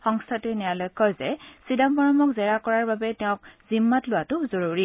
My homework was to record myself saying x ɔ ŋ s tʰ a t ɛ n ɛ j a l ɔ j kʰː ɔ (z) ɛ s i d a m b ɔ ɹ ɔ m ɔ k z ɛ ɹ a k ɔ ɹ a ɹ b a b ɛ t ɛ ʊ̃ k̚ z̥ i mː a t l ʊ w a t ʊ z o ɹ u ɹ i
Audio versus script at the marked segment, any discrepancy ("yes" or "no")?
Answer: no